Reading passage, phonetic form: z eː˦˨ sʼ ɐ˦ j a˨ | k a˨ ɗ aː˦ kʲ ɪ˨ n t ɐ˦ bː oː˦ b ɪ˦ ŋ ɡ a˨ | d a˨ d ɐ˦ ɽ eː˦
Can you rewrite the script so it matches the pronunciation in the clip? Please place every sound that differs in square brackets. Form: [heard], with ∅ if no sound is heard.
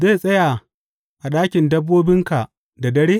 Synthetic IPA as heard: z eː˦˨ sʼ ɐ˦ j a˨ | [ʔ] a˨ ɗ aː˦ kʲ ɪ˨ n [d] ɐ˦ bː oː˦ b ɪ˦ ŋ [k] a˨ | d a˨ d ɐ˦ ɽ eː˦